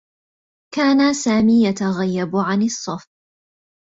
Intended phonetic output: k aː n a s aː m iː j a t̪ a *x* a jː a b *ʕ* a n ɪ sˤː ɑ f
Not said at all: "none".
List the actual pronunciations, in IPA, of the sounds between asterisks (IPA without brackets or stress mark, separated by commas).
ɣ, ʕ